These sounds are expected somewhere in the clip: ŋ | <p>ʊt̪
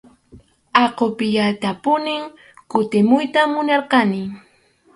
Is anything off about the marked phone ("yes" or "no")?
yes